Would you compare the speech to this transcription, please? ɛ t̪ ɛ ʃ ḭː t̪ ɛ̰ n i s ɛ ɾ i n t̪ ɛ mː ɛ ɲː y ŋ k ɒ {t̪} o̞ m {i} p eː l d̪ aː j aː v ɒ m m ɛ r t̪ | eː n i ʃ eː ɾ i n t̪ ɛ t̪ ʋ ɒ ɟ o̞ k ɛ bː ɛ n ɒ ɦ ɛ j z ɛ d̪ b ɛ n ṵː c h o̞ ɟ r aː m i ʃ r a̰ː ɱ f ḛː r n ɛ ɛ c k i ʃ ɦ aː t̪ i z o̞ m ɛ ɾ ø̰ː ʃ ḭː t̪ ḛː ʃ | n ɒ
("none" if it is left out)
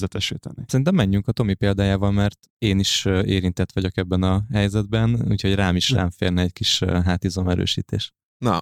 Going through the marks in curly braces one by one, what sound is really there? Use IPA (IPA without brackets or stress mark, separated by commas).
t̪, i